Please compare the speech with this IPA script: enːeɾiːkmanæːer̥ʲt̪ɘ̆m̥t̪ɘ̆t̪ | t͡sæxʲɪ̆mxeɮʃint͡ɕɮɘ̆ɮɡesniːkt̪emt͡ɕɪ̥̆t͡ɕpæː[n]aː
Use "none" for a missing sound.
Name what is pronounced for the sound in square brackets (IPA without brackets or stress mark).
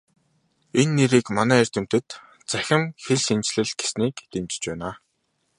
n